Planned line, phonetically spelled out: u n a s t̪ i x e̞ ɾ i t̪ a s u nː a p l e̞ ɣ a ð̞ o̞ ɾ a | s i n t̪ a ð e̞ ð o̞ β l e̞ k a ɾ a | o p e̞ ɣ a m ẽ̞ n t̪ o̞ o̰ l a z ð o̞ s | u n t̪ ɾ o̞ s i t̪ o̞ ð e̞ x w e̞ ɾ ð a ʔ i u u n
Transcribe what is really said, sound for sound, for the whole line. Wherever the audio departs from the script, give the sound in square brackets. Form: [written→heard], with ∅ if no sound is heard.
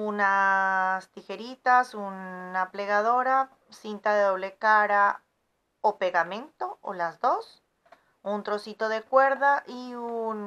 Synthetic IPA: u n a s t̪ i x e̞ ɾ i t̪ a s u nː a p l e̞ ɣ a ð̞ o̞ ɾ a | s i n t̪ a ð e̞ ð o̞ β l e̞ k a ɾ a | o p e̞ ɣ a m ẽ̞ n t̪ o̞ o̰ l a z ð o̞ s | u n t̪ ɾ o̞ s i t̪ o̞ ð e̞ [x→k] w e̞ ɾ ð a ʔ i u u n